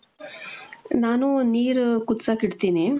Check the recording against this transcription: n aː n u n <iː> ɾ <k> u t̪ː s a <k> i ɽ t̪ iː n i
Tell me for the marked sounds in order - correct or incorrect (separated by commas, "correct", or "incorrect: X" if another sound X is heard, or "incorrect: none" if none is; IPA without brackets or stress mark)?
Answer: correct, correct, correct